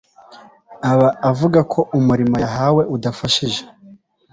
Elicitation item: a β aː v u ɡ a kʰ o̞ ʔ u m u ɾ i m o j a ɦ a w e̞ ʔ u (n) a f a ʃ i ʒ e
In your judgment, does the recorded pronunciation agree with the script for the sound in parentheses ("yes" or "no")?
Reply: no